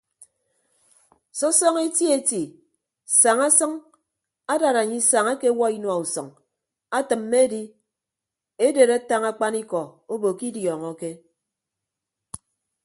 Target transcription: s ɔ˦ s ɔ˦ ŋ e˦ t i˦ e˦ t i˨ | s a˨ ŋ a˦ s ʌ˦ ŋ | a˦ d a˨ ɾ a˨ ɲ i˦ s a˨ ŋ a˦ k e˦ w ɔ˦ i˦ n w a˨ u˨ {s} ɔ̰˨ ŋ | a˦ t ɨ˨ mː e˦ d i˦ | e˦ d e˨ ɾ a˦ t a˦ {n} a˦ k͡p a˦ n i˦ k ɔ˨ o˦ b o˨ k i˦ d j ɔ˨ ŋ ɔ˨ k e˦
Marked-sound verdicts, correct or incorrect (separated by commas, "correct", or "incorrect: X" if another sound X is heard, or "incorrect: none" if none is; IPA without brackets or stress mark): correct, incorrect: ŋ